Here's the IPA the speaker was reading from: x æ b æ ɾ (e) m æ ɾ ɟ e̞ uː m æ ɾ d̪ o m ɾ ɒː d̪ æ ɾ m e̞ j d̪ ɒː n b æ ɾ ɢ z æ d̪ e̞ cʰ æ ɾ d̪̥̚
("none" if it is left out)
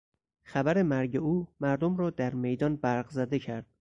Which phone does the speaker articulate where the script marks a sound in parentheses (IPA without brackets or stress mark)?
e